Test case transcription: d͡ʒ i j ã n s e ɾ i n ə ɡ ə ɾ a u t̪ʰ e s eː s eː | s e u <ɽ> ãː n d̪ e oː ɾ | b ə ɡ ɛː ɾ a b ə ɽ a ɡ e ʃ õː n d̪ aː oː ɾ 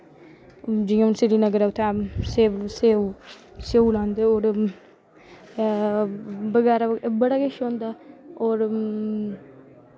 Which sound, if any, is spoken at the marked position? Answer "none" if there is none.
l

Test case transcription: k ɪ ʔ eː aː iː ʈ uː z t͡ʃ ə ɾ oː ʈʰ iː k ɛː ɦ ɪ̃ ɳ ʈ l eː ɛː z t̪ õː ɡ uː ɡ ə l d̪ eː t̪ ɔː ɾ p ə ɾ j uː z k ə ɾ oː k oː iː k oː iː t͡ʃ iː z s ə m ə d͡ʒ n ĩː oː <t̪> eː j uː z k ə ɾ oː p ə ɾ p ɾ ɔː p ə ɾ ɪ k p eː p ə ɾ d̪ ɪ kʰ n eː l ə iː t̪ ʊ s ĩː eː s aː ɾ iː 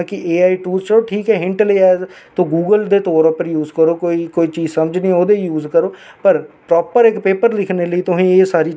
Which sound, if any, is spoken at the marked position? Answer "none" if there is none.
d̪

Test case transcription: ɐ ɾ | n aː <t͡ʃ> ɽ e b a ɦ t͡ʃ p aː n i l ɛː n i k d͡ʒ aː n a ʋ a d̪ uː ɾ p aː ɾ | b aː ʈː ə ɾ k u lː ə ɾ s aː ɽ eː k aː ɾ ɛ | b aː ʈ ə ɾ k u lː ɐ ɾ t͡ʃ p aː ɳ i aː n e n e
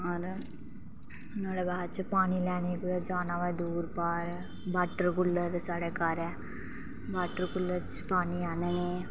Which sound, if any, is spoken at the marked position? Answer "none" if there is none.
none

